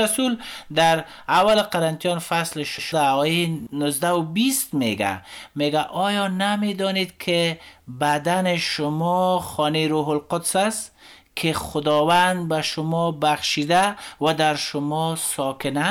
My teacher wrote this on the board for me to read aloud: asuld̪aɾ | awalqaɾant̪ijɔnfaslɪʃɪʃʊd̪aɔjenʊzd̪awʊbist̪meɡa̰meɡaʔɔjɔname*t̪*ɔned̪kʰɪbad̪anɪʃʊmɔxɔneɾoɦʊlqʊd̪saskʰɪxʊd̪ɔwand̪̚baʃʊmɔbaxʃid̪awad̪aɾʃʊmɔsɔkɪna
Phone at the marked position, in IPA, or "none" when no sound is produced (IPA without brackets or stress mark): d̪